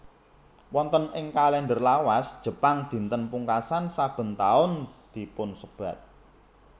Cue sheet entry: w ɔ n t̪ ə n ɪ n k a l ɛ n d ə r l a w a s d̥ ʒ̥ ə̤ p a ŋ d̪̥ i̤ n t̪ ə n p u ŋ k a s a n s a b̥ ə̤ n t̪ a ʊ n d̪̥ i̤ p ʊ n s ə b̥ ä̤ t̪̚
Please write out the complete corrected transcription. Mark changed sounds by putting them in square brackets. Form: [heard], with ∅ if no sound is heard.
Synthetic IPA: w ɔ n t̪ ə n ɪ [ŋ] k a l ɛ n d ə r l a w a s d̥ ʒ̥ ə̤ p a ŋ d̪̥ i̤ n t̪ ə n p u ŋ k a s a n s a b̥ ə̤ n t̪ a ʊ n d̪̥ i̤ p ʊ n s ə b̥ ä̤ t̪̚